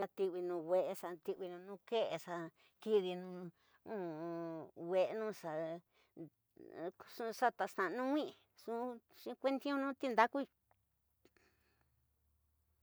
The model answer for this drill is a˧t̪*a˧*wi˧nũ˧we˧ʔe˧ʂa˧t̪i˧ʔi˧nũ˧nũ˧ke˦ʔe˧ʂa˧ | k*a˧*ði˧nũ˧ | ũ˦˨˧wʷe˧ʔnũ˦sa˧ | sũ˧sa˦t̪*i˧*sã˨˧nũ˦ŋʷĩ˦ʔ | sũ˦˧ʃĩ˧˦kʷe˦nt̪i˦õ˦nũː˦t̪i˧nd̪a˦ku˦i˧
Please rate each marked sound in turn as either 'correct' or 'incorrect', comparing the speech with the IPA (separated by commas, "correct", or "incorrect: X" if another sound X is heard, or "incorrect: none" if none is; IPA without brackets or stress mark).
incorrect: i˧, incorrect: i˧, incorrect: a˧